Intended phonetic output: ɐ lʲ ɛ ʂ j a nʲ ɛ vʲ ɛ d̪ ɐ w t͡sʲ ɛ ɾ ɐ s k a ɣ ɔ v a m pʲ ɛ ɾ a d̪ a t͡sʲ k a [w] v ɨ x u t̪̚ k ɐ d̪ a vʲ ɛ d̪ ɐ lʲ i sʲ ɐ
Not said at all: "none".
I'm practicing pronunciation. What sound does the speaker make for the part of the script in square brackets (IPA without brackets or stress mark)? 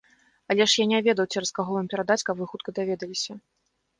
b